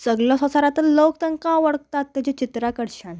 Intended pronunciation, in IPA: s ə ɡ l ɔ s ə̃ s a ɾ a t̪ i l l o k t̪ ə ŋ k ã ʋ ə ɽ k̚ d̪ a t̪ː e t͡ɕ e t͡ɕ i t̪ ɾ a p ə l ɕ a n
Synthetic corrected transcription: s ə ɡ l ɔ s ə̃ s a ɾ a t̪ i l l o k t̪ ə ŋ k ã ʋ ə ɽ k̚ t̪ a t̪ː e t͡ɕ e t͡ɕ i t̪ ɾ a k ə ɽ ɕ a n